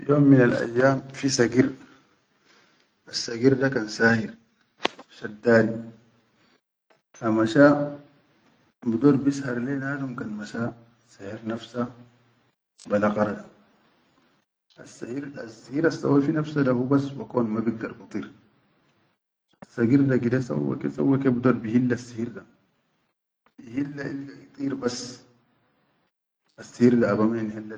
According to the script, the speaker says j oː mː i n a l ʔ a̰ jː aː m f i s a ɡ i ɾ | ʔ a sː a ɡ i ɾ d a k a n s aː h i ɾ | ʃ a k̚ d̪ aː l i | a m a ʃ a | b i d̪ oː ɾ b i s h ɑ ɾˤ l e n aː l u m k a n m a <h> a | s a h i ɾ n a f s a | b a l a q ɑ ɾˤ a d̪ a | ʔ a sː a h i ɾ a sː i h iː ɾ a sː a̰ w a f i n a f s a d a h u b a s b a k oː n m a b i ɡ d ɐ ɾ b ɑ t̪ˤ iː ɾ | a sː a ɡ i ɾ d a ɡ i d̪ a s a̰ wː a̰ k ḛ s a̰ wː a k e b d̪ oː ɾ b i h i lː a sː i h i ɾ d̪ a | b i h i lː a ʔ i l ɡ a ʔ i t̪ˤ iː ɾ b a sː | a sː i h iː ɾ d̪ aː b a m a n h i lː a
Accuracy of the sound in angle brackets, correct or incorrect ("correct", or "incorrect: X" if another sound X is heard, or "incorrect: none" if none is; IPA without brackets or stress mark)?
incorrect: ʃ